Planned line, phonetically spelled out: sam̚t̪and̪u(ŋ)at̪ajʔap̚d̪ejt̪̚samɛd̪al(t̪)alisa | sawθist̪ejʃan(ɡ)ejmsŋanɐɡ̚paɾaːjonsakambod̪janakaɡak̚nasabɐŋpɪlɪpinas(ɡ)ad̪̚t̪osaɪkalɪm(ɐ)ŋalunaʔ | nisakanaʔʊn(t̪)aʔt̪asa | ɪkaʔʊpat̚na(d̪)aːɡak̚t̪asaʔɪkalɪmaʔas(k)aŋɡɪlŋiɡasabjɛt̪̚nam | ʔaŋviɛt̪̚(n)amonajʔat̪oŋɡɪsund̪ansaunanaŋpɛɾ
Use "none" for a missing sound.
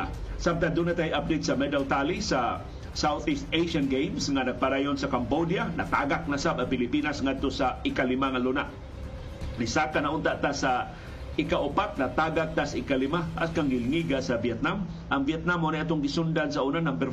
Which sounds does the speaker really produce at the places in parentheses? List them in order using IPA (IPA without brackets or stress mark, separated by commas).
n, t̪, ɡ, ŋ, a, t̪, t̪, k, n